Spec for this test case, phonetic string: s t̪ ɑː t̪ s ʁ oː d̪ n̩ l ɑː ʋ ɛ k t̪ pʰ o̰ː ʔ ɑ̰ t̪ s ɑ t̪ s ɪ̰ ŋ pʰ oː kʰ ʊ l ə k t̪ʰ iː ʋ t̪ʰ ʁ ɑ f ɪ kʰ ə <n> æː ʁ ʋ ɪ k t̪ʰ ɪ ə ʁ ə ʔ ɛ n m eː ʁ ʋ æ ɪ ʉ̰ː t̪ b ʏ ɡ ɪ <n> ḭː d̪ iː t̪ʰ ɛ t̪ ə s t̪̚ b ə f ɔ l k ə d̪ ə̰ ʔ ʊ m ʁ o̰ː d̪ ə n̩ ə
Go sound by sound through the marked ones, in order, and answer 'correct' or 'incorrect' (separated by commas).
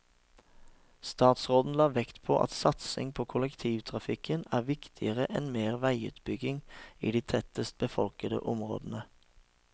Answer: correct, incorrect